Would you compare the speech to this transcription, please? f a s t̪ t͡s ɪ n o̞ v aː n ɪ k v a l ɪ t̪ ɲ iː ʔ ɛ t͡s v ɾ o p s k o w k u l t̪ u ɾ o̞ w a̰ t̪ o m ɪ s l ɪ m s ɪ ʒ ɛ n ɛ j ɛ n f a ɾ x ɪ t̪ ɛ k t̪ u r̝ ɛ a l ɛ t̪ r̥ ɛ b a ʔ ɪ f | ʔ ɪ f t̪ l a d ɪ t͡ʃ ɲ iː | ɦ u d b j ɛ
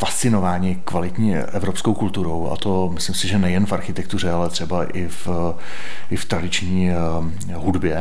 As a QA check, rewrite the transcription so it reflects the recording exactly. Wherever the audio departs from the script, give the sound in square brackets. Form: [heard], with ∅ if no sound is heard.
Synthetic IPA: f a s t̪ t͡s ɪ n o̞ v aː [ɲ] ɪ k v a l ɪ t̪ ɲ iː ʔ ɛ [∅] v ɾ o p s k o w k u l t̪ u ɾ o̞ w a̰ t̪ o m ɪ s l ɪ m s ɪ ʒ ɛ n ɛ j ɛ n f a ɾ x ɪ t̪ ɛ k t̪ u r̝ ɛ a l ɛ t̪ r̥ ɛ b a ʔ ɪ f | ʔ ɪ f t̪ [ɾ] a d ɪ t͡ʃ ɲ iː | ɦ u d b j ɛ